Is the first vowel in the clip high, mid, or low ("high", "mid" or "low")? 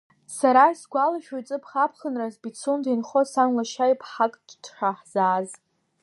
low